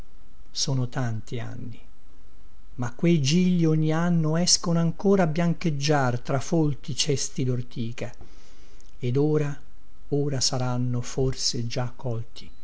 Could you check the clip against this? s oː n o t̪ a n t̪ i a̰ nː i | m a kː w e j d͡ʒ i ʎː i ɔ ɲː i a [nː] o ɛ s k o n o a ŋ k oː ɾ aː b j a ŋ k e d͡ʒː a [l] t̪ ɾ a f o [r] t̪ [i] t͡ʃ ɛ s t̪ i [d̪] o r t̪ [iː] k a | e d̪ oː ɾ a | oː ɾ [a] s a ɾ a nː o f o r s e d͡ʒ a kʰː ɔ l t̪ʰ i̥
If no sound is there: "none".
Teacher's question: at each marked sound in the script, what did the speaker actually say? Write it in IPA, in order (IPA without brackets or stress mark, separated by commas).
nː, r, l, i, d̪, iː, a